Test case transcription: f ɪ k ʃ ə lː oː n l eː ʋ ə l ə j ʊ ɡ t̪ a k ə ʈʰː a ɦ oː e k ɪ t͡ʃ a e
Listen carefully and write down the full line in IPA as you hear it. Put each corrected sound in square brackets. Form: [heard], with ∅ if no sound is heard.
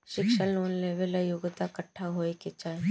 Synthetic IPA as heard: [ʃ] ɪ k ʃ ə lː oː n l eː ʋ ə l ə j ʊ ɡ t̪ a k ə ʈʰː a ɦ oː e k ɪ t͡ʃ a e